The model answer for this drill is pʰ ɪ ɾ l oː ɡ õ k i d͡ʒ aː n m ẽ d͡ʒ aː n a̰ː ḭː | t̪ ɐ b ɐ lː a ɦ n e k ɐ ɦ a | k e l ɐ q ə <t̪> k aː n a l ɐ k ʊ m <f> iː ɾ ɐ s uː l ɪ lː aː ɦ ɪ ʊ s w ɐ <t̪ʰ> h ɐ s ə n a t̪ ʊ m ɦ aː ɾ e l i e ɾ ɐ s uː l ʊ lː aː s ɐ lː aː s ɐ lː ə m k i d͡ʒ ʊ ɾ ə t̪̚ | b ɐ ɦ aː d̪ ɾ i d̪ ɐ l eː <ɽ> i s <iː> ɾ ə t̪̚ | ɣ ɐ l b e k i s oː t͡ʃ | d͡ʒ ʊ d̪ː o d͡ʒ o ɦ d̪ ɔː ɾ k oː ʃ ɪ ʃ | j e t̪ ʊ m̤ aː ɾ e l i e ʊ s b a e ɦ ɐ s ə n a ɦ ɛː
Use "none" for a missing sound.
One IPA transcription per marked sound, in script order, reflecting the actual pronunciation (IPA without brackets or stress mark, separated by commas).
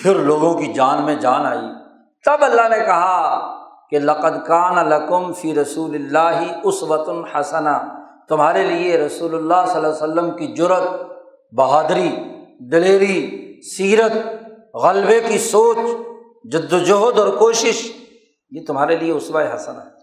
d̪, f, t̪, ɾ, iː